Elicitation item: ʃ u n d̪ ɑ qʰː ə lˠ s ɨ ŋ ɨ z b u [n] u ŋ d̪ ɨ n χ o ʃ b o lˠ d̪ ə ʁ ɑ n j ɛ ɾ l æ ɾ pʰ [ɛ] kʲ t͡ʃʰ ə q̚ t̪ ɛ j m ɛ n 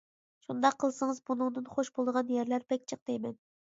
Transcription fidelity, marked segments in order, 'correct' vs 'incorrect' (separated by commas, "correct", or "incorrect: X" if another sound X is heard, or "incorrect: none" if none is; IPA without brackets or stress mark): correct, correct